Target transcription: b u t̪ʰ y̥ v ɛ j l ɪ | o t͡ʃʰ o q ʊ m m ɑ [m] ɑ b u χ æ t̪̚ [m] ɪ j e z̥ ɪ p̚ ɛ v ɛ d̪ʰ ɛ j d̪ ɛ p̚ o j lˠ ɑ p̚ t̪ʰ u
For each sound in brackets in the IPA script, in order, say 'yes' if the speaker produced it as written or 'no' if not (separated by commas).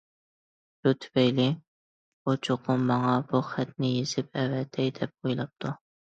no, no